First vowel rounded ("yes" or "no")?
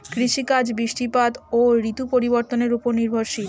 no